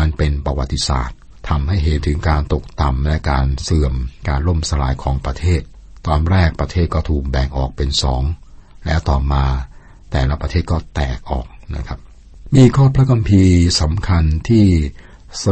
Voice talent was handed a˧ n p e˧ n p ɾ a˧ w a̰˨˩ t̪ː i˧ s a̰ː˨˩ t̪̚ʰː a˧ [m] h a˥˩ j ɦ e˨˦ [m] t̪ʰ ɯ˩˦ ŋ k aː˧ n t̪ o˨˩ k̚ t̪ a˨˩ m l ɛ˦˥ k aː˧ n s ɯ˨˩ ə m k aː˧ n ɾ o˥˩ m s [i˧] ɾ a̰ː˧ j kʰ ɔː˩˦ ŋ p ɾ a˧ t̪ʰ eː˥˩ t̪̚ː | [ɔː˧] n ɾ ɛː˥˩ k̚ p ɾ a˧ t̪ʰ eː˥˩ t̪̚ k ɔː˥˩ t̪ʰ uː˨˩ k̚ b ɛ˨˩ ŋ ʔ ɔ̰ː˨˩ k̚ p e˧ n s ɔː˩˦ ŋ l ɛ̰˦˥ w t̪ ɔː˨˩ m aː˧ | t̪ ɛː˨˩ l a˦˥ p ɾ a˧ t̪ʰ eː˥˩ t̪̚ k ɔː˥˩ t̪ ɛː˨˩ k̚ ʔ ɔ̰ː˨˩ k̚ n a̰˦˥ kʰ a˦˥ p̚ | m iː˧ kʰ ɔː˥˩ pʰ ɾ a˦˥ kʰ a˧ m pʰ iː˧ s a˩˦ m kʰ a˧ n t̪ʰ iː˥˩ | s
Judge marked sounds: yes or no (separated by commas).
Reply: yes, no, no, yes